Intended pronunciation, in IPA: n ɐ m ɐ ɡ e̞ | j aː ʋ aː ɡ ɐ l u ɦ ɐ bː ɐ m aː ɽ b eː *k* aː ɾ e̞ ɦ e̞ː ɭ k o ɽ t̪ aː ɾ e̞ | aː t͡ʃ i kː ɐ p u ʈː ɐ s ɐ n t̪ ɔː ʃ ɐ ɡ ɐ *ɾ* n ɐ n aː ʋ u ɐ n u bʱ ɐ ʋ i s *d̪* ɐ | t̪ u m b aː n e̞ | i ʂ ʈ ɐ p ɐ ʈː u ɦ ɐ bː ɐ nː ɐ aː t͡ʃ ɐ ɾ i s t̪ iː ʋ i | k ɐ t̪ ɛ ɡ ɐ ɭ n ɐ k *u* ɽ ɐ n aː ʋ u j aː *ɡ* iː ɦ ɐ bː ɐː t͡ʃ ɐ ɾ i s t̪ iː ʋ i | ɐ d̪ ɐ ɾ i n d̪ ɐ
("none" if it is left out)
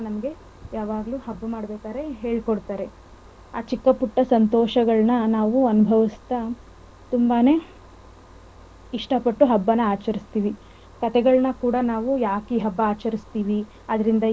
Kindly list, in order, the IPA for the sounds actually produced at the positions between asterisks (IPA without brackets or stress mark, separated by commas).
k, ɭ, t̪, uː, k